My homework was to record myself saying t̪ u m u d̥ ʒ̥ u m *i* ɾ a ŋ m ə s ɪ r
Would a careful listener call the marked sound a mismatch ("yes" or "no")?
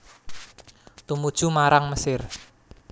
yes